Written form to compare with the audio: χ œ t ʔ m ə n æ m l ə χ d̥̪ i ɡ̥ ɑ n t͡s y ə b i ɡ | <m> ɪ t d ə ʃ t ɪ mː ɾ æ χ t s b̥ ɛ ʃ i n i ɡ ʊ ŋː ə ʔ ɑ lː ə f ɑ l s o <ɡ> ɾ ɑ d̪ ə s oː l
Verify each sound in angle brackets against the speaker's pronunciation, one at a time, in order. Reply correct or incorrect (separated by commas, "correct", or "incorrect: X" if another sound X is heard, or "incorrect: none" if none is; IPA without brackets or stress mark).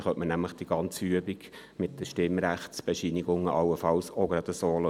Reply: correct, correct